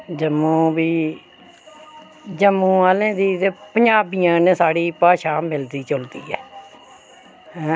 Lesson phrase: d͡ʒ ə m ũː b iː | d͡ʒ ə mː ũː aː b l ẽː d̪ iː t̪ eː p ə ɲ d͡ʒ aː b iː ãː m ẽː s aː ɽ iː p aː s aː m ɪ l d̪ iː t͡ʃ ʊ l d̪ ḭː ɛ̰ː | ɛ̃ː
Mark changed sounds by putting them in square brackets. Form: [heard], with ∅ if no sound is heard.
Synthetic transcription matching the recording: d͡ʒ ə m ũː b iː | d͡ʒ ə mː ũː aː [∅] l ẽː d̪ iː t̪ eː p ə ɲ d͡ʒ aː b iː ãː [n] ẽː s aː ɽ iː p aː [ʃ] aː m ɪ l d̪ iː t͡ʃ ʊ l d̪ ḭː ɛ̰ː | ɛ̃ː